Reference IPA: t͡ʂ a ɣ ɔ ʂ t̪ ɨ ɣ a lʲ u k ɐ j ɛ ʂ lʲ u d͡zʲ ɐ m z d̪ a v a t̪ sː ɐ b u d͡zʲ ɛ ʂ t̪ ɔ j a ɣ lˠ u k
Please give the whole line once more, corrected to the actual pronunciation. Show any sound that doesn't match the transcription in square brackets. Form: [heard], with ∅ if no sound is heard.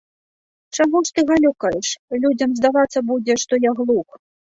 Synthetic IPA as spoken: t͡ʂ a ɣ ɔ ʂ t̪ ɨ ɣ a lʲ u k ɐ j ɛ ʂ lʲ u d͡zʲ ɐ m z d̪ a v a t̪ sː ɐ b u d͡zʲ ɛ ʂ t̪ ɔ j a ɣ lˠ u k